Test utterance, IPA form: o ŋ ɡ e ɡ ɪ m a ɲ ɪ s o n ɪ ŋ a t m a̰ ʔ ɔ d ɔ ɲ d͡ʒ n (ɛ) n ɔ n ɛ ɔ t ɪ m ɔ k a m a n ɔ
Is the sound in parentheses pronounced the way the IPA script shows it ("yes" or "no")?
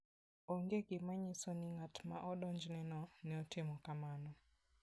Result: yes